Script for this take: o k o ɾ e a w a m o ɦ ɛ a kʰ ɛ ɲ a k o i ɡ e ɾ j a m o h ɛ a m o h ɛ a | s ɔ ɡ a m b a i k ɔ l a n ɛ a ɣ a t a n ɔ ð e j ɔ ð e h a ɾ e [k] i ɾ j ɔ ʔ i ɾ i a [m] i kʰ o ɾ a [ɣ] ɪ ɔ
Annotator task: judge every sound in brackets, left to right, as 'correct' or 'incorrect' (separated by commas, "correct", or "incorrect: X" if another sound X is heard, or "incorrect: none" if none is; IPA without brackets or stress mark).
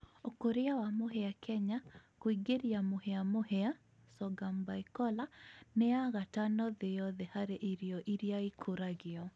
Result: incorrect: ʔ, incorrect: none, correct